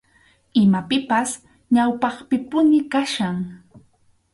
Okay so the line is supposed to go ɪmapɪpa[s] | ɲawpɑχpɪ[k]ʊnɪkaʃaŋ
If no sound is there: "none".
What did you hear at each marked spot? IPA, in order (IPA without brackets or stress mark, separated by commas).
s, p